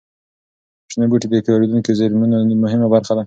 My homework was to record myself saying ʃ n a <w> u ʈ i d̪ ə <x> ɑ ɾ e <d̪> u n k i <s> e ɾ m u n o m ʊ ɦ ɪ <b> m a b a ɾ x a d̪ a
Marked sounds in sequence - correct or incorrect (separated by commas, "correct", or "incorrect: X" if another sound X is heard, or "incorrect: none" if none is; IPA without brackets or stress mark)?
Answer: incorrect: b, incorrect: k, correct, incorrect: z, incorrect: none